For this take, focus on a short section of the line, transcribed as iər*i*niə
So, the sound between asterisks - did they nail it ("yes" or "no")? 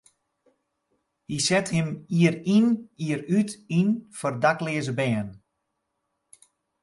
yes